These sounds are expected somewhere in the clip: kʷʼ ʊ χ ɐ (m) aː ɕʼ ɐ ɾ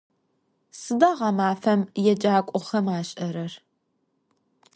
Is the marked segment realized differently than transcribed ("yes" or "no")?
no